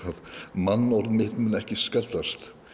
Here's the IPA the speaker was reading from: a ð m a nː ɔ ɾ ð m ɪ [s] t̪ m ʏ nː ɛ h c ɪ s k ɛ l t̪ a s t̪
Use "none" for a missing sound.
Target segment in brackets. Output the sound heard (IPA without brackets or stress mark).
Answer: h